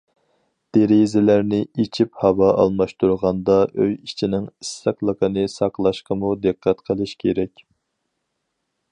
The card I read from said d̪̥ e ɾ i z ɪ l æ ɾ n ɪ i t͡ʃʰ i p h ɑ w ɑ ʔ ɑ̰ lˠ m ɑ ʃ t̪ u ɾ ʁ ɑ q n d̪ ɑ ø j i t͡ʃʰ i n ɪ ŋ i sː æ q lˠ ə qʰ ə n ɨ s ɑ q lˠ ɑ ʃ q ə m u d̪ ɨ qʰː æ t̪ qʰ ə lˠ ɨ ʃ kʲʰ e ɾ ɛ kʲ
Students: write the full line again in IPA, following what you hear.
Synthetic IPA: d̪̥ e ɾ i z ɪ l æ ɾ n ɪ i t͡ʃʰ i p h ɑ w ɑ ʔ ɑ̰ lˠ m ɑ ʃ t̪ u ɾ ʁ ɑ n d̪ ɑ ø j i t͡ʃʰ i n ɪ ŋ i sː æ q lˠ ə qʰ ə n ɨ s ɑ q lˠ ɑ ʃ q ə m u d̪ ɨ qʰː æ t̪ qʰ ə lˠ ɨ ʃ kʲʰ e ɾ ɛ kʲ